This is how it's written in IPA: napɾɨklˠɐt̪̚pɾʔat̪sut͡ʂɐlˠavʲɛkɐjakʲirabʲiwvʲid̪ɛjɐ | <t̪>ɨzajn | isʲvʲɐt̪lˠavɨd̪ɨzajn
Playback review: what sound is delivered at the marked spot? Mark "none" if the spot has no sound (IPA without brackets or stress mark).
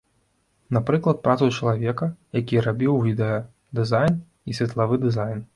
d̪